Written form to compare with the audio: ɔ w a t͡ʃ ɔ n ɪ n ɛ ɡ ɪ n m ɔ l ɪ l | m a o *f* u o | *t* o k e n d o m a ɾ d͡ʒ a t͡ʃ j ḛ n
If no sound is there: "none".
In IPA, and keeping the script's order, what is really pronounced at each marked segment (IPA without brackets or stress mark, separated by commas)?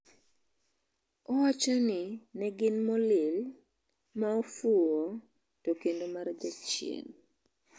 f, t